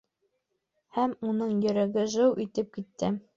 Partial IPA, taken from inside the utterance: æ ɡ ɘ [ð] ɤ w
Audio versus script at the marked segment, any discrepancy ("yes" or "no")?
yes